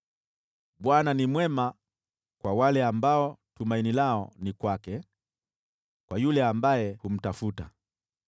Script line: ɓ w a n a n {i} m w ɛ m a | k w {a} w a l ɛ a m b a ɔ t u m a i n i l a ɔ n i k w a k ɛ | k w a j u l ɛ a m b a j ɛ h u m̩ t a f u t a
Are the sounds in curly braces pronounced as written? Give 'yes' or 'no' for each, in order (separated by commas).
yes, yes